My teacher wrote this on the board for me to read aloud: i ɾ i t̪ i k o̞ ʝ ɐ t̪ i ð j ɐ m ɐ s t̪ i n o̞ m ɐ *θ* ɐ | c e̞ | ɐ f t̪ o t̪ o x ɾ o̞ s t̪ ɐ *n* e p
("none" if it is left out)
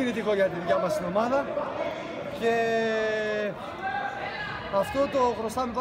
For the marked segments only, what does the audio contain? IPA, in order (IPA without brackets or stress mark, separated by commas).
ð, m